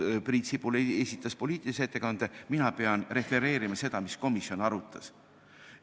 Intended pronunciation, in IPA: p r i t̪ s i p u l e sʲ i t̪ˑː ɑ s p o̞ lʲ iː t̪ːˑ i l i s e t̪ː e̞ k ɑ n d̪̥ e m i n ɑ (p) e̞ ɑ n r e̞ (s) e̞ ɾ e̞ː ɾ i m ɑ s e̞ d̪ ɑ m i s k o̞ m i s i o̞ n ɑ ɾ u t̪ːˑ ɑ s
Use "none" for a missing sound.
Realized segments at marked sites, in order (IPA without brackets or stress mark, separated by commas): p, f